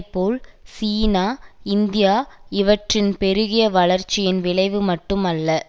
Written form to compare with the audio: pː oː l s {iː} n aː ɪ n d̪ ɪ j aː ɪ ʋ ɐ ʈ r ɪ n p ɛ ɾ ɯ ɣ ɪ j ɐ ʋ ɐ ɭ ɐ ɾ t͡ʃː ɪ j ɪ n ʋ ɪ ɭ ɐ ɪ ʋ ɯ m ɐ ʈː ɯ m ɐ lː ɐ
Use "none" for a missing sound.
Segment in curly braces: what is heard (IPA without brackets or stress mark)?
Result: iː